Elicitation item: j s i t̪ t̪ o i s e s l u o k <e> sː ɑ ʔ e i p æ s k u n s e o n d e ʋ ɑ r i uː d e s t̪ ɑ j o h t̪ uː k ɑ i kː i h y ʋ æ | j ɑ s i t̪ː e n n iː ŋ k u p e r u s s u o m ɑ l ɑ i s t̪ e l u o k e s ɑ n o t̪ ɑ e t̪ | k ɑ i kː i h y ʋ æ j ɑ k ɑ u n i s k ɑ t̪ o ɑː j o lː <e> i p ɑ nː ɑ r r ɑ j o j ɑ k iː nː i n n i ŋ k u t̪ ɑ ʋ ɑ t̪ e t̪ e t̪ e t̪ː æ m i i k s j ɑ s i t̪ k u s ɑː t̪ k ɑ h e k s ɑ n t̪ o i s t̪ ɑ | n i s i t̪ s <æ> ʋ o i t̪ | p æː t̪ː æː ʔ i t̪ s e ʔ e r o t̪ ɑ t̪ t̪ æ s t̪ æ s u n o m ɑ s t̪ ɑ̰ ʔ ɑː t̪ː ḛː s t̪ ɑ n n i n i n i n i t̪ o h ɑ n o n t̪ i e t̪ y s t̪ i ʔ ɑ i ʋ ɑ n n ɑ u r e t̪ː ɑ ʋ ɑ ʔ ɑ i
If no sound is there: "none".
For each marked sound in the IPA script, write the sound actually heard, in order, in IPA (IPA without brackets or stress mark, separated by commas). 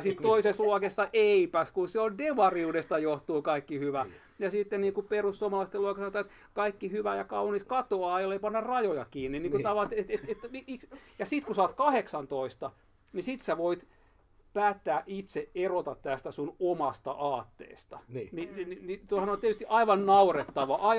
e, e, æ